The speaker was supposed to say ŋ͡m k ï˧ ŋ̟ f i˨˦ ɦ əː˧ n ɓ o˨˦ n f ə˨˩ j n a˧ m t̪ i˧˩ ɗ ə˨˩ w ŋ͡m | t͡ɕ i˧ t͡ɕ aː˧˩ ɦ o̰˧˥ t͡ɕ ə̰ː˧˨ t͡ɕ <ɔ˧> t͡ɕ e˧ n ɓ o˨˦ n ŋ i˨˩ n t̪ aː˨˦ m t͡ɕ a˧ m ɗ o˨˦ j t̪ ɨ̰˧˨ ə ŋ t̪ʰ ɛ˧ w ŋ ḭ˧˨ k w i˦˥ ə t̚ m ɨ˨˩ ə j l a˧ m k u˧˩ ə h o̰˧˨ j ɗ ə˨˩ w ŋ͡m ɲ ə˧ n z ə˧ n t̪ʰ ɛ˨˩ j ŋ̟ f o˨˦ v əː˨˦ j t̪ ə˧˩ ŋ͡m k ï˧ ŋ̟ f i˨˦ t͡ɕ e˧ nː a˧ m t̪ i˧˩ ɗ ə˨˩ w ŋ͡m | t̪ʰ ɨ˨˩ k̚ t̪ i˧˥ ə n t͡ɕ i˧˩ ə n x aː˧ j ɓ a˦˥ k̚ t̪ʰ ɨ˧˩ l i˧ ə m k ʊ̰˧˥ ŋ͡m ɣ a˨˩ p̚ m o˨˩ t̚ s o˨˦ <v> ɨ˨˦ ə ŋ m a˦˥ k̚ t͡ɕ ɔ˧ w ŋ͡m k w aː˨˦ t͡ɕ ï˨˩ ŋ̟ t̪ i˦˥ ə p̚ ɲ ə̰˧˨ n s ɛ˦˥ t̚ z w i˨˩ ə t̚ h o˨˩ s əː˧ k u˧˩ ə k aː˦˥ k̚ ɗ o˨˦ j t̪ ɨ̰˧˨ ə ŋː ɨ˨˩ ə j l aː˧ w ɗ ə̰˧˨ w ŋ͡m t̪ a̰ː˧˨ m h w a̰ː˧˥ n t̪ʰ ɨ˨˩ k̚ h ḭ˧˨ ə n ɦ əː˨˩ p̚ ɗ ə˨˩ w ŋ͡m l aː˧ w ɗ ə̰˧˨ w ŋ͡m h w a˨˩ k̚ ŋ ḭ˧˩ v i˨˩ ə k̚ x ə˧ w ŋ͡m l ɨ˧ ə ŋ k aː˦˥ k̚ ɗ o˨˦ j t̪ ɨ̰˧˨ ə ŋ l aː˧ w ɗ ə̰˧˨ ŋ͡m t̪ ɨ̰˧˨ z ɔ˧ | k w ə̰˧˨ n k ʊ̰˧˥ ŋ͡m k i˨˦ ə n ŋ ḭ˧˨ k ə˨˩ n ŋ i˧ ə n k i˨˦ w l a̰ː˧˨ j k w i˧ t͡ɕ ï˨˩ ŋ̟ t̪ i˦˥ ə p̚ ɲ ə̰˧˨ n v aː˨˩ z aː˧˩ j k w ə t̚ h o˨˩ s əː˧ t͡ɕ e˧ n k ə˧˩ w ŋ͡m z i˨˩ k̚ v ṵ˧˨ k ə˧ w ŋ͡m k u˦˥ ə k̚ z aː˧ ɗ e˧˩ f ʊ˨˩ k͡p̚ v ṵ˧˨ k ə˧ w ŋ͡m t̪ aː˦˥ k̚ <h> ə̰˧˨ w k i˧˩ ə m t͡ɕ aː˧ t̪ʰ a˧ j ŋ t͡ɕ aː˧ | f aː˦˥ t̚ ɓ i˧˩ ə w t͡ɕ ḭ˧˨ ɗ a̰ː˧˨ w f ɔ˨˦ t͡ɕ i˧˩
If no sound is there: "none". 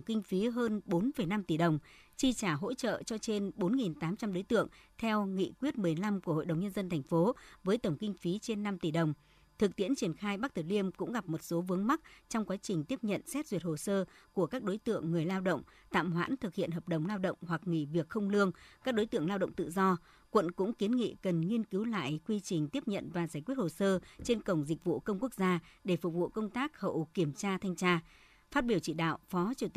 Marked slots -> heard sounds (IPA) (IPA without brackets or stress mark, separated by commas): ɔ˧, v, h